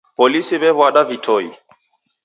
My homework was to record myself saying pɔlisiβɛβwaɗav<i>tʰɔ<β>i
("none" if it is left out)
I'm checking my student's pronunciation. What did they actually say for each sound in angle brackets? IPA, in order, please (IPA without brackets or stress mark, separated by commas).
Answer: i, none